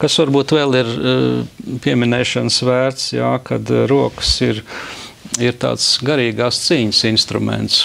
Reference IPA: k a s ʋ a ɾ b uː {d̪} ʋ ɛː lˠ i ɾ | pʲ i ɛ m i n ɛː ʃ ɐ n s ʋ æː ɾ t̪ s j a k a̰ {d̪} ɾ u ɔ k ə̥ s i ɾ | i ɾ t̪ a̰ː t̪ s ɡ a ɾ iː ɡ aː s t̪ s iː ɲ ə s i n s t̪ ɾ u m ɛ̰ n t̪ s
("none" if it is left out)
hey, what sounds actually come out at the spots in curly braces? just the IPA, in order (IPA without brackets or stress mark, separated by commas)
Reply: t̪, d̪